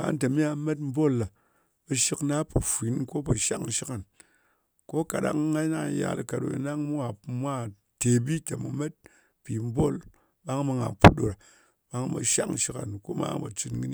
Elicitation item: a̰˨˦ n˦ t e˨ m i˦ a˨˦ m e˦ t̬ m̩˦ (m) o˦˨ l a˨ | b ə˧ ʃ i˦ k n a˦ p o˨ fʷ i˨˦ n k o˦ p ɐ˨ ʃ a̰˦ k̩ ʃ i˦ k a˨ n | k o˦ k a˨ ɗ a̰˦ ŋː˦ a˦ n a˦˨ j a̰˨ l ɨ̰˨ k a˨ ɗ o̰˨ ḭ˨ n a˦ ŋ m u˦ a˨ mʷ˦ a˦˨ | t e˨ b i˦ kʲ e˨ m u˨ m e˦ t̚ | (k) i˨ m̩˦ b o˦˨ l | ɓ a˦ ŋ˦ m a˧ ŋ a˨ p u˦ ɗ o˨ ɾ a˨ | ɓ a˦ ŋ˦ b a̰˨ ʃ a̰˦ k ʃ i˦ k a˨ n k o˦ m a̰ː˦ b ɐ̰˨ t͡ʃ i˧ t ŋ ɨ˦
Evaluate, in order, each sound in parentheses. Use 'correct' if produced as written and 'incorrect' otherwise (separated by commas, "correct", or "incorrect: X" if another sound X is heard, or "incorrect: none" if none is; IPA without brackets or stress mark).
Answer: incorrect: b, incorrect: p